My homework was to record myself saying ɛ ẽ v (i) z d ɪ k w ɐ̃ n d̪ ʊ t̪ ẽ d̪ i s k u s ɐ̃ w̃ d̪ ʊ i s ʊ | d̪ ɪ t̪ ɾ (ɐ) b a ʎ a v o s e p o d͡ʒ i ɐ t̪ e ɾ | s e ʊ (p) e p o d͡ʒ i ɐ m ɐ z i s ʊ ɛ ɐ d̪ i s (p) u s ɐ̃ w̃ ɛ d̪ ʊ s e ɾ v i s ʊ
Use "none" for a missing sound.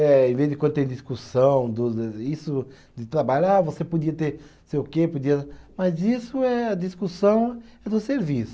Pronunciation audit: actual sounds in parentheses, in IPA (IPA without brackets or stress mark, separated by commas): e, a, k, k